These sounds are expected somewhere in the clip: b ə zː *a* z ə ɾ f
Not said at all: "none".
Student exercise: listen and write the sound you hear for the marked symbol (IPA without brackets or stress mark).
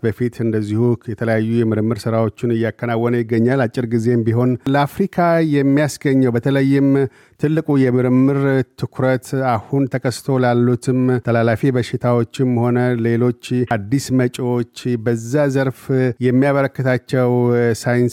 a